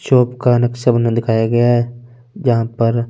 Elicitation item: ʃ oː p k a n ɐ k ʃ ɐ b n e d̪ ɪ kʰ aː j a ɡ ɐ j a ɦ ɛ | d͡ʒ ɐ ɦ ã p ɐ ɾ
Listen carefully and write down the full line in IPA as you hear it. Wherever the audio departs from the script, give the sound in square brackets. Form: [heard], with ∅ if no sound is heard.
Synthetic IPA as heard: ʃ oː p k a n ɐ k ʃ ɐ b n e d̪ ɪ kʰ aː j a ɡ ɐ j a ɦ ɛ | d͡ʒ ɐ ɦ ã p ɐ ɾ